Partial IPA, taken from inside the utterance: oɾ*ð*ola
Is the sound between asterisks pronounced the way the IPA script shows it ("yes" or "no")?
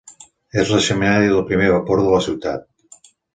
yes